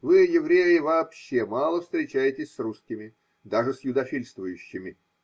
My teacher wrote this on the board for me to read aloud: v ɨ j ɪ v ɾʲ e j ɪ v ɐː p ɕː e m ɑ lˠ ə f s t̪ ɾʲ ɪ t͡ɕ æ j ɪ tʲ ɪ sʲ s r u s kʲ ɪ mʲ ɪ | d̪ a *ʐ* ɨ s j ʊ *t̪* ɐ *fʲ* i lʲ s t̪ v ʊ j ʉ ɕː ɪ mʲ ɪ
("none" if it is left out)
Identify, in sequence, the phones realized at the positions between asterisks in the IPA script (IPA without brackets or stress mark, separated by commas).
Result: ʐ, d̪, fʲ